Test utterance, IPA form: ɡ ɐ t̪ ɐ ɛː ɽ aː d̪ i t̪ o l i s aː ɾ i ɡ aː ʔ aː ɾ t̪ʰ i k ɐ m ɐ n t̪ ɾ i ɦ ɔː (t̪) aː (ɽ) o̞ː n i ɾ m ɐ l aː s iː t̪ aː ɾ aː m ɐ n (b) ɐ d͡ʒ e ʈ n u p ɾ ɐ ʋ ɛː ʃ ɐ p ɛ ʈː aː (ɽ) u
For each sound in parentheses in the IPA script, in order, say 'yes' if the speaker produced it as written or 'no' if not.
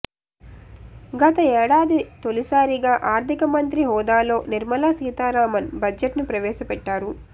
no, no, yes, no

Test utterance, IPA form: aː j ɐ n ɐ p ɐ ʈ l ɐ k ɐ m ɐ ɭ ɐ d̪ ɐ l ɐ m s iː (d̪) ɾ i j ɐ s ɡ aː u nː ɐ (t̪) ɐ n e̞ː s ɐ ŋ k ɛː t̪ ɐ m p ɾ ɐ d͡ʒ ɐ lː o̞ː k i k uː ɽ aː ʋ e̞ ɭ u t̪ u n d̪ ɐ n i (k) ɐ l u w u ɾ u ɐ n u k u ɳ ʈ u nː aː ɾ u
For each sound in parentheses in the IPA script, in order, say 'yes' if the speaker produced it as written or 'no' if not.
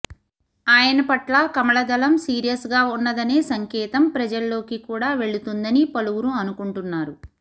no, no, no

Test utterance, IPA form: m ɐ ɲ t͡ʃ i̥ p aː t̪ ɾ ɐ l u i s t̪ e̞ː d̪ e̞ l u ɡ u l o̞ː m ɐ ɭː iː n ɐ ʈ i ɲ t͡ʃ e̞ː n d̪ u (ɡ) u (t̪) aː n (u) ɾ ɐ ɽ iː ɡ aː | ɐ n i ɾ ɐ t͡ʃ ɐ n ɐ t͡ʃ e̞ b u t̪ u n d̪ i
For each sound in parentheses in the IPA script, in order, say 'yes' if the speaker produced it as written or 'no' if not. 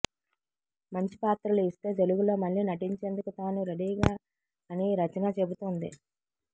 no, yes, yes

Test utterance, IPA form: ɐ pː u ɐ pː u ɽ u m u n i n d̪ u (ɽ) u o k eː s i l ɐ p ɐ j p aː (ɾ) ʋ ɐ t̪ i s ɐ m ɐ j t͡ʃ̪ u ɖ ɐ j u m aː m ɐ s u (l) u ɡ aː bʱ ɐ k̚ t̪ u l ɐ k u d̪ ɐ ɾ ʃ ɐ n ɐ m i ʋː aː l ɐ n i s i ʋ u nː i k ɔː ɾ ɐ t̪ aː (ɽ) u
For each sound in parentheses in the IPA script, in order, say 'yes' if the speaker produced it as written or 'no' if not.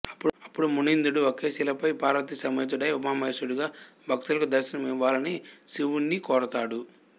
yes, yes, no, yes

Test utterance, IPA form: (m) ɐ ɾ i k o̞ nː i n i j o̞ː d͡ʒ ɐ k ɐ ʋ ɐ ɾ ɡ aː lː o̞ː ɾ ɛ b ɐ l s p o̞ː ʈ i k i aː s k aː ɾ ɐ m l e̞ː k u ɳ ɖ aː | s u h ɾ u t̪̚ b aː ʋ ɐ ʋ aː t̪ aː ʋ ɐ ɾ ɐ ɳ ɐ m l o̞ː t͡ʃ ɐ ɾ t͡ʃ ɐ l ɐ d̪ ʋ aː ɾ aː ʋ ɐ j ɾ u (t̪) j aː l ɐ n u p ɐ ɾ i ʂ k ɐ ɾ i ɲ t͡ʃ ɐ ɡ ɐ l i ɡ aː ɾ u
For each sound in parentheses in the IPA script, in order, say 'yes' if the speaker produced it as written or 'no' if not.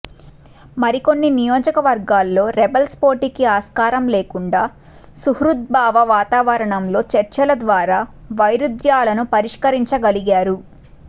yes, no

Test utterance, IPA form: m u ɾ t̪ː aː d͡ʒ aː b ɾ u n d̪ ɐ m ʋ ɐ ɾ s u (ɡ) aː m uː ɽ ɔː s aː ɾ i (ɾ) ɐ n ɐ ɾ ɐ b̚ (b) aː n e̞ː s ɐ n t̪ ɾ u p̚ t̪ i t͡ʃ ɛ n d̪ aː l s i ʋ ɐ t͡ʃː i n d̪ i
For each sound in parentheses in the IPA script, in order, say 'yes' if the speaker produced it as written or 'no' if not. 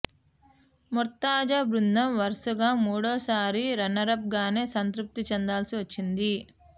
yes, yes, no

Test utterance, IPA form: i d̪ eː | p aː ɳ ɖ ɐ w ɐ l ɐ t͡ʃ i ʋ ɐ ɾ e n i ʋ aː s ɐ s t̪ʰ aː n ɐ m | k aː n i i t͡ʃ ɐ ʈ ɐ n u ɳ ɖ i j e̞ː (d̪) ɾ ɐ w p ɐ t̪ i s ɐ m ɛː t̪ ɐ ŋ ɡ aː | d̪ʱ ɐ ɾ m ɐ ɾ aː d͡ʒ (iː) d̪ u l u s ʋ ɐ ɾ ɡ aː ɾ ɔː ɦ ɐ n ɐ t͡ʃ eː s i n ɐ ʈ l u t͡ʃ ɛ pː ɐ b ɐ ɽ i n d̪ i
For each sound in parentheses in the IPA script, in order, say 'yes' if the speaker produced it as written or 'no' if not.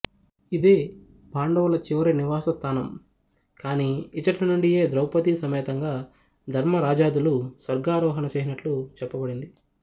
yes, no

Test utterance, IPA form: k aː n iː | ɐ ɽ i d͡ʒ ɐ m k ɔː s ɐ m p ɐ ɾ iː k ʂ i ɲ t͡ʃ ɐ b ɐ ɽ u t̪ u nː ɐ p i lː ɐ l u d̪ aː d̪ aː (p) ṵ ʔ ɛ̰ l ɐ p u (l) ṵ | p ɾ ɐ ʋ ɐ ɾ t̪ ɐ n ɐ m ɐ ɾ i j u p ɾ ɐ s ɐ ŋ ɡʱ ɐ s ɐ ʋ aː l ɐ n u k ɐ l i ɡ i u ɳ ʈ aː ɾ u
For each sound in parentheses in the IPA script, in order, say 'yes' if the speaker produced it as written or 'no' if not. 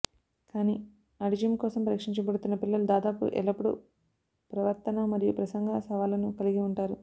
yes, no

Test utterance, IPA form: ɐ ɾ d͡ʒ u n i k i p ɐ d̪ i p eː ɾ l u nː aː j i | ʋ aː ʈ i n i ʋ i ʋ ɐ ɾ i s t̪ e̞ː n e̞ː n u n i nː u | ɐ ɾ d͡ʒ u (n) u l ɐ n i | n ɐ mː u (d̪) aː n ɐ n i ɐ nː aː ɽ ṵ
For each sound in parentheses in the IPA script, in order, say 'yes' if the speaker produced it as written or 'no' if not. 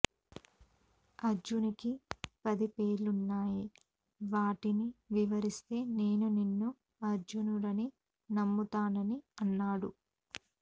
yes, no

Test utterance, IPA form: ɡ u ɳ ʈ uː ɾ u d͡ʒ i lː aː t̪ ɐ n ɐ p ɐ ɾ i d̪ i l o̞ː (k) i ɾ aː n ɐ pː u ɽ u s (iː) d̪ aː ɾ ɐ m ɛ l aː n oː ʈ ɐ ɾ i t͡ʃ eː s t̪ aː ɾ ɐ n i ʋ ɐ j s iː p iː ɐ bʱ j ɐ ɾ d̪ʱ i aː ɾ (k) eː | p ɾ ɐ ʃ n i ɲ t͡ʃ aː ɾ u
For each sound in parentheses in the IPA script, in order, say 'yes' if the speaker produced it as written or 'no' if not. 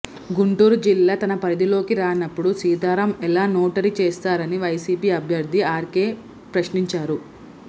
yes, yes, yes

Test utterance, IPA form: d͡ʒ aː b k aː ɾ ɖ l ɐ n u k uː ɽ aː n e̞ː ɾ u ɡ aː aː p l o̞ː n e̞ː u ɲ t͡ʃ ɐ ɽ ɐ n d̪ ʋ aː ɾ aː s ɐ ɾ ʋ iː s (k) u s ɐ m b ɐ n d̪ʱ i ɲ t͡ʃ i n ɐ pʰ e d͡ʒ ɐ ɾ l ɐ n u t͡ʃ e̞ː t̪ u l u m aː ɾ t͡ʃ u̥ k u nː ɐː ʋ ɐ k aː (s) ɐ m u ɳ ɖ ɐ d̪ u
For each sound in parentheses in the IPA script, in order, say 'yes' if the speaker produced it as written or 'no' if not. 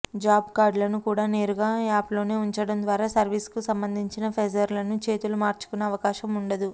yes, no

